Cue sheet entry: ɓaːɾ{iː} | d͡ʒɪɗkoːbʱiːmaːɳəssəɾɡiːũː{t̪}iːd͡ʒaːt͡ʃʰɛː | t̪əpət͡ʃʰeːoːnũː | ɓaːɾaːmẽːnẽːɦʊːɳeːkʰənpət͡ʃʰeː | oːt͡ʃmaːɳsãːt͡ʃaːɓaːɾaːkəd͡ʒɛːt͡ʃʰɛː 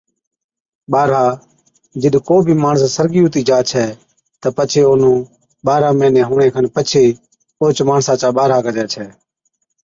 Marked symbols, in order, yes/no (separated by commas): no, yes